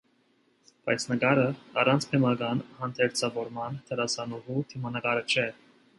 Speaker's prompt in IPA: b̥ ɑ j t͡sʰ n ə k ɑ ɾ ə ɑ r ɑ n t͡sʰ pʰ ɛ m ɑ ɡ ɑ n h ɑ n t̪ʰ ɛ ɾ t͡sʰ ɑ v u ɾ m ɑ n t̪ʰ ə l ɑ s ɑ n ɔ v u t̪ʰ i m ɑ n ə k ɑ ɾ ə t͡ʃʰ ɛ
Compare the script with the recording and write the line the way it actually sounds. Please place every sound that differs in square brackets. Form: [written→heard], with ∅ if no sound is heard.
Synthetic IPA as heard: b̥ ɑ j t͡sʰ n ə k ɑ ɾ ə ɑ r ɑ n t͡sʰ pʰ ɛ m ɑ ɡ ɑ n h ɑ n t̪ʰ ɛ ɾ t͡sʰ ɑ v [u→ɔ] ɾ m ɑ n t̪ʰ ə [l→ɾ] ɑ s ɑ n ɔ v u t̪ʰ i m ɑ n ə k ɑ ɾ ə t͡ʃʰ ɛ

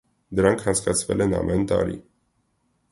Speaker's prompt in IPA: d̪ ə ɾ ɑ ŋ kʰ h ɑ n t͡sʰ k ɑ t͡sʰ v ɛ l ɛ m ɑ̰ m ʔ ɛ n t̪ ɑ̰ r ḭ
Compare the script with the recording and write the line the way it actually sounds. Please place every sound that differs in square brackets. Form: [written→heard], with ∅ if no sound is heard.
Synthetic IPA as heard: d̪ ə ɾ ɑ ŋ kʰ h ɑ n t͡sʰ k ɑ t͡sʰ v ɛ l ɛ [m→n] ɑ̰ m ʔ ɛ n t̪ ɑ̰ [r→ɾ] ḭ

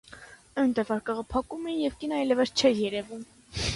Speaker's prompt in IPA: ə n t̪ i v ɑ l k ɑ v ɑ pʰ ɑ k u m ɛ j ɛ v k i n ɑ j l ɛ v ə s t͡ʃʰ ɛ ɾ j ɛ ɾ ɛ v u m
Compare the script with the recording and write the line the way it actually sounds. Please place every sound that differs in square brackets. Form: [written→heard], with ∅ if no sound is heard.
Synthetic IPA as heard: ə n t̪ [i→ɛ] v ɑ [l→ɾ] k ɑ [v→ʁ] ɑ pʰ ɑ k u m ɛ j ɛ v k i n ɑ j l ɛ v ə s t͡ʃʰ ɛ ɾ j ɛ ɾ ɛ v u m

